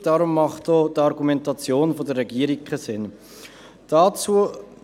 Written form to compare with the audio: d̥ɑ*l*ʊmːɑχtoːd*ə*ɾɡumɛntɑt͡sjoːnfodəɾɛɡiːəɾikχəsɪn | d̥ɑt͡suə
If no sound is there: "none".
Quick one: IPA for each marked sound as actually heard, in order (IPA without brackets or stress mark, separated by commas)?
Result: ɾ, ɑ